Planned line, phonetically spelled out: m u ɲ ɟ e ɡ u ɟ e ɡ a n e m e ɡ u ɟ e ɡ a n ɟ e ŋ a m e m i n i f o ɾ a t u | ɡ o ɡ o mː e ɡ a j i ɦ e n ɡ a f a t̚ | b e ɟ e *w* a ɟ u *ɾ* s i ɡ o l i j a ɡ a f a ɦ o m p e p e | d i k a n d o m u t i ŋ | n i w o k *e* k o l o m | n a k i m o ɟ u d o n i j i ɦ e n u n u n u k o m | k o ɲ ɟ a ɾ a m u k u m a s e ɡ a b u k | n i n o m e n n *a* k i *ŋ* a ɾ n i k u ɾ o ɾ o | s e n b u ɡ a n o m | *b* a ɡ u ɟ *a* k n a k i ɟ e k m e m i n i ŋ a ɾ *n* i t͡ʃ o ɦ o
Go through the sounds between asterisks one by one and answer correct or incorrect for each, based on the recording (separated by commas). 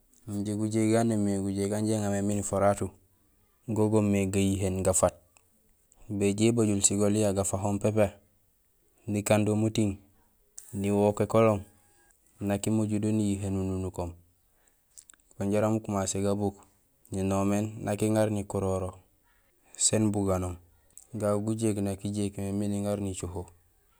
incorrect, incorrect, correct, correct, correct, incorrect, incorrect, correct